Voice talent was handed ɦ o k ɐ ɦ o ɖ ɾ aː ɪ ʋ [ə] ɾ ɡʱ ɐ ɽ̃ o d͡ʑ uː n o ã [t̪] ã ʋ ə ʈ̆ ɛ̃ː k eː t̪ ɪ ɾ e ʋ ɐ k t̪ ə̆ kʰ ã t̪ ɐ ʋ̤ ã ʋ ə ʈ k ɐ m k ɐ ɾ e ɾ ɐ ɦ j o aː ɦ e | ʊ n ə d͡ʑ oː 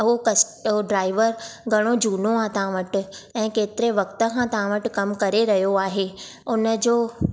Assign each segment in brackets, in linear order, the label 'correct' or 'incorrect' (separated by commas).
correct, correct